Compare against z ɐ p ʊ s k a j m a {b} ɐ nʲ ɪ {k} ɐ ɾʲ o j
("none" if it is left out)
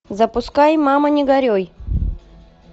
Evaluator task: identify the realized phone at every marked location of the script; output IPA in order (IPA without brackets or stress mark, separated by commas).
m, ɡ